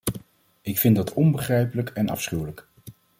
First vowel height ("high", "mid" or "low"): high